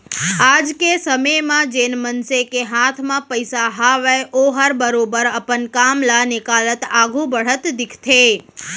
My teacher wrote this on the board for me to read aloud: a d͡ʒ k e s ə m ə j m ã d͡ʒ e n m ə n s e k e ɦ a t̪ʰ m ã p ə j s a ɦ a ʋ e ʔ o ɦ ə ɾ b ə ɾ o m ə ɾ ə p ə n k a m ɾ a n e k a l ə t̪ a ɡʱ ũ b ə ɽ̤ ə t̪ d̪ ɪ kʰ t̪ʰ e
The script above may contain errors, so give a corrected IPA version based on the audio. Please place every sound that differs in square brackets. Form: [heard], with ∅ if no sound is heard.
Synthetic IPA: a d͡ʒ k e s ə m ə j m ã d͡ʒ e n m ə n s e k e ɦ a t̪ʰ m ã p ə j s a ɦ a ʋ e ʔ o ɦ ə ɾ b ə ɾ o [b] ə ɾ ə p ə n k a m [l] a n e k a l ə t̪ a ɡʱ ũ b ə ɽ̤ ə t̪ d̪ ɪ kʰ t̪ʰ e